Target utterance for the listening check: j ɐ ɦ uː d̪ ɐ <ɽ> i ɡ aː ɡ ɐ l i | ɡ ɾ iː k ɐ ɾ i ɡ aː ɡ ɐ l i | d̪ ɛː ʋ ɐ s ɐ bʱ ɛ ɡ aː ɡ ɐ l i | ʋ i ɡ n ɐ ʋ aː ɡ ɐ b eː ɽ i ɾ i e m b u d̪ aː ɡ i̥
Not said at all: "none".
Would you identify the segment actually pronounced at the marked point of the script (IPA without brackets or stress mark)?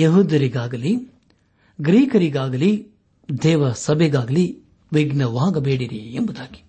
ɾ